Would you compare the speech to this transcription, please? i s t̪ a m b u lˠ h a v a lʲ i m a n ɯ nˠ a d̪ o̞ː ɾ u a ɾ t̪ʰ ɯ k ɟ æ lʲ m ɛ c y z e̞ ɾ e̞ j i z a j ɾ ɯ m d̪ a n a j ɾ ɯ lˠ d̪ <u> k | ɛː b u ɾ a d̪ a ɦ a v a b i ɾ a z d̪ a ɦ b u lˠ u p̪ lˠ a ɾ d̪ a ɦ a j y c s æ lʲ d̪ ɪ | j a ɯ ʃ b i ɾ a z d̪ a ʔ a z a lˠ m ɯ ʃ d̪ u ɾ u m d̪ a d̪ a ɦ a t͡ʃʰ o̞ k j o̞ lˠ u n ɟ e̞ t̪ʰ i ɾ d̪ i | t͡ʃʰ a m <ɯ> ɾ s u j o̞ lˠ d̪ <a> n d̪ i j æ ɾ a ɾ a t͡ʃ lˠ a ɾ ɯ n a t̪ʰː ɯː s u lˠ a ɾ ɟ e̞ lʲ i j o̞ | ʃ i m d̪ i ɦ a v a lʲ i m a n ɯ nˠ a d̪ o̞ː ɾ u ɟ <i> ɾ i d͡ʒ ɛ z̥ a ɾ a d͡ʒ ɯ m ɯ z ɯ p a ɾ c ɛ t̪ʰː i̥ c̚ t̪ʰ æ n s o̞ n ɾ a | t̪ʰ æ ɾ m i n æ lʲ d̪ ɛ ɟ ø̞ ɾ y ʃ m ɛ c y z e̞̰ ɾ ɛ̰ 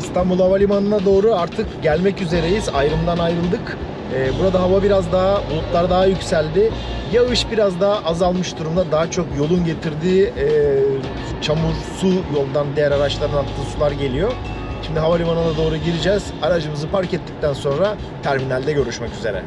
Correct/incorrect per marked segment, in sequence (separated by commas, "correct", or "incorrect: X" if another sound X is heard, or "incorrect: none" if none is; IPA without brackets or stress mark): incorrect: ɯ, incorrect: u, correct, correct